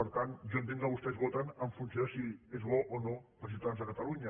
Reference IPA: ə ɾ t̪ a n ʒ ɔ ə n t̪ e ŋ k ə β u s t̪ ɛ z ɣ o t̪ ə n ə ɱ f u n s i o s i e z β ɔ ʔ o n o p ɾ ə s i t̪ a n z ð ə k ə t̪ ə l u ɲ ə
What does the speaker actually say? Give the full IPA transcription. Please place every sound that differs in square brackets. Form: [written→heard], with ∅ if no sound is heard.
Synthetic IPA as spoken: ə ɾ t̪ a n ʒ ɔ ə n t̪ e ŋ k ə β u s t̪ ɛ z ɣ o t̪ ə n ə ɱ f u n s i o s i e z β ɔ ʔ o n o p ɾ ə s i t̪ a n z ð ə k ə t̪ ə l u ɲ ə

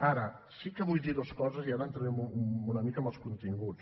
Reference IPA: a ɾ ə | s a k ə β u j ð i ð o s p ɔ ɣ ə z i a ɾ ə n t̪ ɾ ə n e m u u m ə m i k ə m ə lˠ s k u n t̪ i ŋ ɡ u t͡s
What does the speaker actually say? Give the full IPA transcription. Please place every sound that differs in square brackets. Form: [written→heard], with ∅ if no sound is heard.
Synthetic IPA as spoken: a ɾ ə | s [a→i] k ə β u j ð i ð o s [p→k] ɔ [ɣ→z] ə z i a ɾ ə n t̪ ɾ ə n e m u u [m→n] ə m i k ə m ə lˠ s k u n t̪ i ŋ ɡ u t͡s

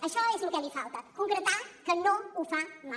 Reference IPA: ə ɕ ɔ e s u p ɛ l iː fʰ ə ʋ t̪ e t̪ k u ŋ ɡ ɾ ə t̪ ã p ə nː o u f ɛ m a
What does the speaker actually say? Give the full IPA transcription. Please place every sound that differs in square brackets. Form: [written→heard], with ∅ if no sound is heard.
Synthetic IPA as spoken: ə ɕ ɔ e s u [p→k] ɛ l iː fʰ [ə→a] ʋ t̪ [e→a] t̪ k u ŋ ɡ ɾ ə t̪ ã [p→k] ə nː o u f [ɛ→a] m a

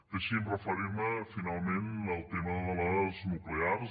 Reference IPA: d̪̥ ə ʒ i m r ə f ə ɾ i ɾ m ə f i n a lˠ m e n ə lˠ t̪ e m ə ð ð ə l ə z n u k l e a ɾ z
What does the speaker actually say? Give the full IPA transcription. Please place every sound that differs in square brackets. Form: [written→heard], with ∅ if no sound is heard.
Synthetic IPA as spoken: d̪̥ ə [ʒ→ʃ] i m r ə f ə ɾ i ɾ m ə f i n a lˠ m e n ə lˠ t̪ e m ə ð ð ə l ə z n u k l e a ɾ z

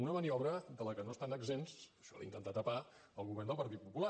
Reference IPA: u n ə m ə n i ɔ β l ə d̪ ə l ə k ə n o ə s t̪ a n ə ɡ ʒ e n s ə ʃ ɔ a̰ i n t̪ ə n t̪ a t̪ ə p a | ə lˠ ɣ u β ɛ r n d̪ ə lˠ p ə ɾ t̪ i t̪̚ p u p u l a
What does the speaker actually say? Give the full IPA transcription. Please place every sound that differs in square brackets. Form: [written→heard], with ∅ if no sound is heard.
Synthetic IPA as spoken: u n ə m ə n i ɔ β [l→ɾ] ə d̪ ə l ə k ə n o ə s t̪ a n ə ɡ [ʒ→z] e n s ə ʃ ɔ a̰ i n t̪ ə n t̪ a t̪ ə p a | ə lˠ ɣ u β ɛ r n d̪ ə lˠ p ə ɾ t̪ i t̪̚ p u p u l a

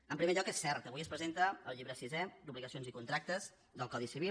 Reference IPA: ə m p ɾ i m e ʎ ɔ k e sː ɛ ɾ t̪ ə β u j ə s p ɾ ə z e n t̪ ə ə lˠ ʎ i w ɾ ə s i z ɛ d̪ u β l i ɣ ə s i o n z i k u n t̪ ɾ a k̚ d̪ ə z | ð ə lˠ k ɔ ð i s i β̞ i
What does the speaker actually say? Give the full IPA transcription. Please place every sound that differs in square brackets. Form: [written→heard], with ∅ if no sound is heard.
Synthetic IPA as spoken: ə m p ɾ i m e ʎ ɔ k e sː ɛ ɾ t̪ ə β u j ə s p ɾ ə z e n t̪ ə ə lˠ ʎ i [w→β] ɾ ə s i z ɛ d̪ u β l i ɣ ə s i o n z i k u n t̪ ɾ a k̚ [d̪→t̪] ə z | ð ə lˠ k ɔ ð i s i β̞ i

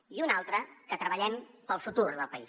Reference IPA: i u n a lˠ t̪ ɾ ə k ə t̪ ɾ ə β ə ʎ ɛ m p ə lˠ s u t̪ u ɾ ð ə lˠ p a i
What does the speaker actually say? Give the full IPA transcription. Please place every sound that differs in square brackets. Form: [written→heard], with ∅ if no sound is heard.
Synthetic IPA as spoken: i u n a lˠ t̪ ɾ ə k ə t̪ ɾ ə β ə ʎ ɛ m p ə lˠ [s→f] u t̪ u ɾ ð ə lˠ p [a→ə] i

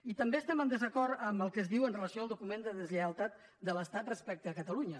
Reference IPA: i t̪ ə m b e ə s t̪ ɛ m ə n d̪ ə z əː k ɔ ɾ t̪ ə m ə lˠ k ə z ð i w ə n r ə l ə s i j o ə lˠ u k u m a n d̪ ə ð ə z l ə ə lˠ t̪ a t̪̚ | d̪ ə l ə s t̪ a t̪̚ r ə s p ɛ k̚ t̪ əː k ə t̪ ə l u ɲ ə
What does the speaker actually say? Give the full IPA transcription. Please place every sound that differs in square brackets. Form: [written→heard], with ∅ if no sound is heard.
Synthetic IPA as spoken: i t̪ ə m b e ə s t̪ ɛ m ə n d̪ ə z [əː→ə] k ɔ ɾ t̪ ə m ə lˠ k ə z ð i w ə n r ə l ə s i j o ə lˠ u k u m [a→e] n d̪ ə ð ə z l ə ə lˠ t̪ a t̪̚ | d̪ ə l ə s t̪ a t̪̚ r ə s p ɛ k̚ t̪ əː k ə t̪ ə l u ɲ ə

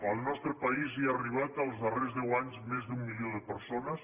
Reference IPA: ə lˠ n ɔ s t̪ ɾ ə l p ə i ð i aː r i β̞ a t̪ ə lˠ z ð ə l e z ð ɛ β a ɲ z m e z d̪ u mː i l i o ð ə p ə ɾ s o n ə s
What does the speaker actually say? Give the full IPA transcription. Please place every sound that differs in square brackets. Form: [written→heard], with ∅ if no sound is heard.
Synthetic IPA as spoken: ə lˠ n ɔ s t̪ ɾ ə [l→∅] p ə i [ð→z] i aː r i β̞ a t̪ ə lˠ z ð ə [l→r] e z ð ɛ [β→w] a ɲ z m e z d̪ u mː i l i o ð ə p ə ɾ s o n ə s

